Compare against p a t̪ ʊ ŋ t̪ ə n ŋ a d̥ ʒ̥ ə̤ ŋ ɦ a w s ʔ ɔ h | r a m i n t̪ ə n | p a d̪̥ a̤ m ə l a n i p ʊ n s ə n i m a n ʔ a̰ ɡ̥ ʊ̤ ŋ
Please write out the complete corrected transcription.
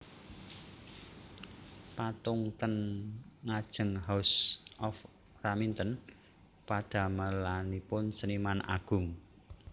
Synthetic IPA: p a t̪ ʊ ŋ t̪ ə n ŋ a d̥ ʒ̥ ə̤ ŋ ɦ a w s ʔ ɔ f | r a m i n t̪ ə n | p a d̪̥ a̤ m ə l a n i p ʊ n s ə n i m a n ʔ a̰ ɡ̥ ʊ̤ ŋ